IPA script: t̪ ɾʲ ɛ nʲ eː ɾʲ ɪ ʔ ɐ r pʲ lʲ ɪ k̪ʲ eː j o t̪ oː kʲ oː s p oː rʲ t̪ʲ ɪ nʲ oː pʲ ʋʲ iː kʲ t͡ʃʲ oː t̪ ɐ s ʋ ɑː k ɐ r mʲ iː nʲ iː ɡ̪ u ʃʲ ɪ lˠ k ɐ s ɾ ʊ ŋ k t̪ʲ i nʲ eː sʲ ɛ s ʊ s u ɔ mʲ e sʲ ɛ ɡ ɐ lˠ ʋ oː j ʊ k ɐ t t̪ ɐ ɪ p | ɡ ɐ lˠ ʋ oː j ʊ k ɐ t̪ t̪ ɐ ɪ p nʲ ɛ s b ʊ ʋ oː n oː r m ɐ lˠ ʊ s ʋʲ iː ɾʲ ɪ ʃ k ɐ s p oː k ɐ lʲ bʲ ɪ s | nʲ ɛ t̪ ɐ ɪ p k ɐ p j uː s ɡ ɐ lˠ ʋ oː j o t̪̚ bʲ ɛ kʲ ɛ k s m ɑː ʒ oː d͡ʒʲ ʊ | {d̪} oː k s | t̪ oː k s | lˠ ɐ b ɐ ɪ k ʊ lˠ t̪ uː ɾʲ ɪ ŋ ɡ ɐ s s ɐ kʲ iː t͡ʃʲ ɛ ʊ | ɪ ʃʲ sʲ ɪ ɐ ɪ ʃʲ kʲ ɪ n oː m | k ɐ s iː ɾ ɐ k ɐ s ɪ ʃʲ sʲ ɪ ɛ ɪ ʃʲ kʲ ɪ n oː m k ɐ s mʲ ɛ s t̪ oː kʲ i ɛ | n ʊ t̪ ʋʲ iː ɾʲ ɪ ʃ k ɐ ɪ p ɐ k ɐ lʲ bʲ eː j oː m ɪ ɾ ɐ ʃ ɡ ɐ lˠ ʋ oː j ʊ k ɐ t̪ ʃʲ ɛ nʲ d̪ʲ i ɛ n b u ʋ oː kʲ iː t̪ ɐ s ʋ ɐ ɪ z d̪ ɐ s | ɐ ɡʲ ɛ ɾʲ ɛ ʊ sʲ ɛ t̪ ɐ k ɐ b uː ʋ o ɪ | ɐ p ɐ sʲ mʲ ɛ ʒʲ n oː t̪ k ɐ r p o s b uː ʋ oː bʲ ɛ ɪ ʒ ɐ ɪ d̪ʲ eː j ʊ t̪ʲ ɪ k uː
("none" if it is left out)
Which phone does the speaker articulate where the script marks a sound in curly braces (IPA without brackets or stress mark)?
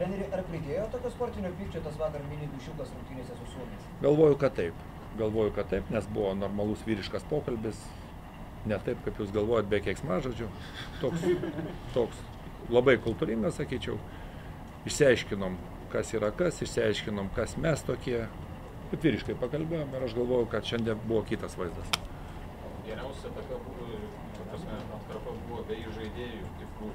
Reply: t̪